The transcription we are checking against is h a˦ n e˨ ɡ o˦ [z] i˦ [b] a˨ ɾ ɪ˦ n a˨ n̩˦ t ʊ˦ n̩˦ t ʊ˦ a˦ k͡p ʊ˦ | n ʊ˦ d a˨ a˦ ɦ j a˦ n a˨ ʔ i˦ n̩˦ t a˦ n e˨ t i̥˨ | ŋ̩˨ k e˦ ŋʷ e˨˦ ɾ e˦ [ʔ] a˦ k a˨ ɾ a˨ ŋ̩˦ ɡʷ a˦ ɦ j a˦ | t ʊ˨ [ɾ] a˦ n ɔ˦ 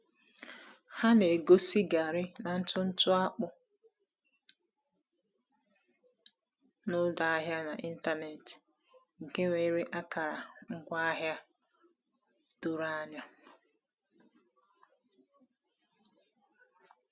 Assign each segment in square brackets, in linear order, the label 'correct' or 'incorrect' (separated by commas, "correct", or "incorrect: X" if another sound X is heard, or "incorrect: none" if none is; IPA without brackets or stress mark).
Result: incorrect: s, incorrect: ɡ, correct, correct